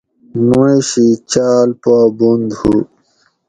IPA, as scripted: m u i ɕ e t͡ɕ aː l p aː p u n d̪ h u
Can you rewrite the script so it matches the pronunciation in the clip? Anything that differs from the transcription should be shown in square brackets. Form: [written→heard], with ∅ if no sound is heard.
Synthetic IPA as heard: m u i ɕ [e→i] t͡ɕ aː l p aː [p→b] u n d̪ h u